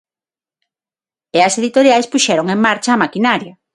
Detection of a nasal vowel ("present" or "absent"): absent